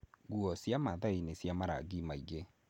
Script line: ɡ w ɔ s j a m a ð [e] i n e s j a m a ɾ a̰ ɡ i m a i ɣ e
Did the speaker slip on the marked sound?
yes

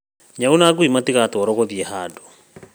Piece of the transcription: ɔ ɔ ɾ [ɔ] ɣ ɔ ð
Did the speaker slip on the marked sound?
no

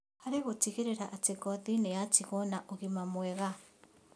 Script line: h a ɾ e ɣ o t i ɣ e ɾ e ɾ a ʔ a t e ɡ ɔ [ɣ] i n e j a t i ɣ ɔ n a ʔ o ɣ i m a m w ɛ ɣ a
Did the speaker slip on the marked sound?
yes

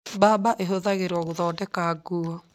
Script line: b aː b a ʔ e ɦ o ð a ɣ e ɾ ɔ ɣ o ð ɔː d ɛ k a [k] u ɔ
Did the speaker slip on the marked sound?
yes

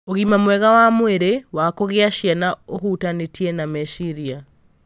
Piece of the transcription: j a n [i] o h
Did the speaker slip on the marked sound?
yes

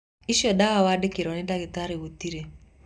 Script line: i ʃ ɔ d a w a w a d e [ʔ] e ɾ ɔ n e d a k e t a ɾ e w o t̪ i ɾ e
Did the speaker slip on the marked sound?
yes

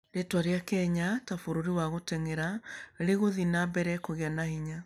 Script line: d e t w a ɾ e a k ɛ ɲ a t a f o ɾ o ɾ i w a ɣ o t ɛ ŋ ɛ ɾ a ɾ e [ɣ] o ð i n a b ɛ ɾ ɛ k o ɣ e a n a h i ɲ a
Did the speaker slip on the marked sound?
no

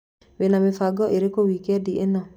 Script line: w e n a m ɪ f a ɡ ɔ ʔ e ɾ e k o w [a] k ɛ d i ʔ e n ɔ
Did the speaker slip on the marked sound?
yes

